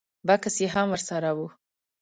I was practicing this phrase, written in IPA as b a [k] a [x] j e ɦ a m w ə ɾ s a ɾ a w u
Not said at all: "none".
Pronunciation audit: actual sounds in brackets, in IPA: k, s

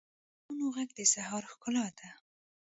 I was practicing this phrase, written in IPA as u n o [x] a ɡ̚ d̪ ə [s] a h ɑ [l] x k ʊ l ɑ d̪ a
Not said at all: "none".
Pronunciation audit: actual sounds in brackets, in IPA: ɣ, s, ɾ

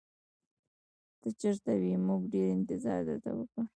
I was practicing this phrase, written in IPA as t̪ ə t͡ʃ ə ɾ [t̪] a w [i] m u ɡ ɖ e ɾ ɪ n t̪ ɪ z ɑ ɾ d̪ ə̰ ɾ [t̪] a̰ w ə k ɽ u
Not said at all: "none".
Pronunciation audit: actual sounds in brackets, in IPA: t̪, i, t̪

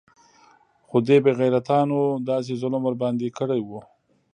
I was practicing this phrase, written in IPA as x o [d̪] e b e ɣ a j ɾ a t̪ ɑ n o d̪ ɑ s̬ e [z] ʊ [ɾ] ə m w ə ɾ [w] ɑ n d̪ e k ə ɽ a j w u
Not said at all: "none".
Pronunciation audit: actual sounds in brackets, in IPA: d̪, z, l, b

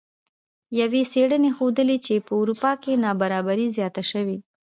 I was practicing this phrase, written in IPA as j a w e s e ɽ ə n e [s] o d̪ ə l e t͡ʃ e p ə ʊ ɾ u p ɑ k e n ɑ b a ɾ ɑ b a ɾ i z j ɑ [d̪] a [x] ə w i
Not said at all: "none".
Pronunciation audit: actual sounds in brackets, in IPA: x, t̪, ʃ

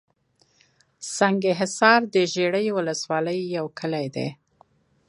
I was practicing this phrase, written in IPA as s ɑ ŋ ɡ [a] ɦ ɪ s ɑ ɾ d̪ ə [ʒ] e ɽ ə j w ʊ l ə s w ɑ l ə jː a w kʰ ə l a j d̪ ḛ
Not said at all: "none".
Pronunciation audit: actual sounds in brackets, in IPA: e, ʒ

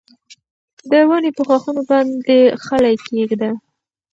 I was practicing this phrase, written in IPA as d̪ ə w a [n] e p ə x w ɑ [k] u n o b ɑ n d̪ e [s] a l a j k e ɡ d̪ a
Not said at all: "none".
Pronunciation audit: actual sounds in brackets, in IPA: n, x, x

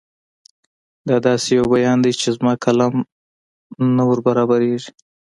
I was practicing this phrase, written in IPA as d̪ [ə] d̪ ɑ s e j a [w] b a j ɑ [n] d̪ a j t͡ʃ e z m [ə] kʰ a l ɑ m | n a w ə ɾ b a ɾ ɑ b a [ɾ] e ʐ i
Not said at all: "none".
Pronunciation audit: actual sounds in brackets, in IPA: ɑ, w, n, ɑ, ɾ

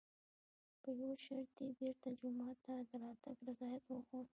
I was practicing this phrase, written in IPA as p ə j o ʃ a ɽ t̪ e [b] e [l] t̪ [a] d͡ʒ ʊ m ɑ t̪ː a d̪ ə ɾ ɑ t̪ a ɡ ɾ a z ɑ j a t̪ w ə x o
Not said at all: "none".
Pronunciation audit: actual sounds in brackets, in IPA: b, ɾ, a

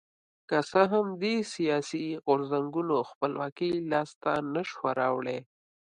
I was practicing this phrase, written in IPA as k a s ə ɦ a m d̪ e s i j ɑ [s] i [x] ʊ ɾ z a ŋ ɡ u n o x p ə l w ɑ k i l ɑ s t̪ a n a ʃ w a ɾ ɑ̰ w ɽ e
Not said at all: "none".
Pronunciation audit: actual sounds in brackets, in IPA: s, ɣ

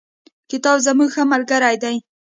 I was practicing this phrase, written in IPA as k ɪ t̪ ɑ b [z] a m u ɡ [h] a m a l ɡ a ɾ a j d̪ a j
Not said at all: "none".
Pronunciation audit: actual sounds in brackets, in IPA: z, x

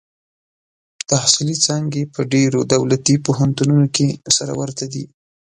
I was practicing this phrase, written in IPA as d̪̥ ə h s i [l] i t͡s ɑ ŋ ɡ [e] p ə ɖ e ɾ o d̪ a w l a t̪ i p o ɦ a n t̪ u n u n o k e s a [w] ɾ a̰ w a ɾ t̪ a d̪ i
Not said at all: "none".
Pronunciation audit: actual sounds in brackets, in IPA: l, e, none

